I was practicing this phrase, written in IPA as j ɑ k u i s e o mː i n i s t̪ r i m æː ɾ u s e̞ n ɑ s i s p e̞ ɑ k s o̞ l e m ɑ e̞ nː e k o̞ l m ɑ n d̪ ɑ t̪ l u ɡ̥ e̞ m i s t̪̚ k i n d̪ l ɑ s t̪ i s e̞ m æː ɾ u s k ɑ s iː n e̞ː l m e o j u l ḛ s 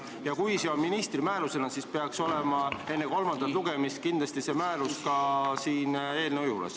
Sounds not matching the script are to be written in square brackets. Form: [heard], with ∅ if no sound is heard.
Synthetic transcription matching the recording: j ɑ k u [j] s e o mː i n i s t̪ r i m æː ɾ u s e̞ n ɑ s i s p e̞ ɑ k s o̞ l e m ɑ e̞ nː e k o̞ l m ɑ n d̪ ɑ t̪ l u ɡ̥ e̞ m i s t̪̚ k i n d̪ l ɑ s t̪ i s e̞ m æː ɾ u s k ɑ s iː n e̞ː l [n] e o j u l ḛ s